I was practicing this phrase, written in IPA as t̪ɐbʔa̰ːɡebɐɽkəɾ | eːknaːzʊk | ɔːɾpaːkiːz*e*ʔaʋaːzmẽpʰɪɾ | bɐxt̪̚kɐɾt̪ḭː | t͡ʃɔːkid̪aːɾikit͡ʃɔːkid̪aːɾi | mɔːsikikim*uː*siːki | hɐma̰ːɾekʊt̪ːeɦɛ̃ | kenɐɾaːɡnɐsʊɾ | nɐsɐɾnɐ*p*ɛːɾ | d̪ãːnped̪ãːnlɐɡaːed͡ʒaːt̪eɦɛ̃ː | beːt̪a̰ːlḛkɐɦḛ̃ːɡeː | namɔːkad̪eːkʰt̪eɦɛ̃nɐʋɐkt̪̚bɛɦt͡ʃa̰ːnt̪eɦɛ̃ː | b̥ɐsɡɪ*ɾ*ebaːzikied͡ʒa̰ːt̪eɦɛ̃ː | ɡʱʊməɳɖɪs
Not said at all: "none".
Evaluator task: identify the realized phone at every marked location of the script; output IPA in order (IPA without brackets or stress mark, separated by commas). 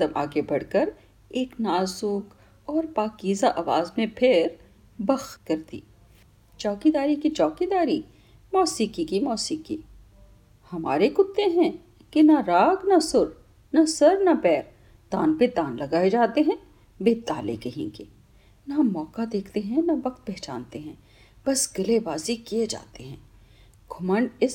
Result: a, ɔː, p, l